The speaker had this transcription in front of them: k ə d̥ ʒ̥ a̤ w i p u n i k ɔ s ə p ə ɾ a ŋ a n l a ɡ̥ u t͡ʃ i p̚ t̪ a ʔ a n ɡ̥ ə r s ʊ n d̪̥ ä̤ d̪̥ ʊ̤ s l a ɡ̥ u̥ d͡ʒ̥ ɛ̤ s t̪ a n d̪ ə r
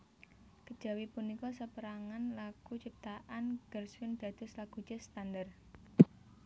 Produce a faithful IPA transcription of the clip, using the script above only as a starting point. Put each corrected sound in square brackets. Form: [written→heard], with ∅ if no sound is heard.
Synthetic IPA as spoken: k ə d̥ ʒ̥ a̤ w i p u n i k ɔ s ə p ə ɾ a ŋ a n l a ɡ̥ u t͡ʃ i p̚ t̪ a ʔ a n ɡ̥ ə r s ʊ n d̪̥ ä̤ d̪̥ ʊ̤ s l a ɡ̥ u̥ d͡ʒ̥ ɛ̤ s t̪ a n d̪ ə r